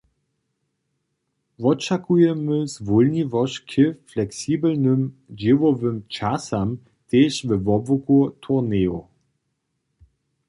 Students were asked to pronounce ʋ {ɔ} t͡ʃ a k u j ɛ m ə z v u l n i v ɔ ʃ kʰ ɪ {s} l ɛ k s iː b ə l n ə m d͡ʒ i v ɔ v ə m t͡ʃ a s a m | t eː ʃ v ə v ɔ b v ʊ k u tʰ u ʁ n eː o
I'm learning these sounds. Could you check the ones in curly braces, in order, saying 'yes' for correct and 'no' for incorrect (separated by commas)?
yes, no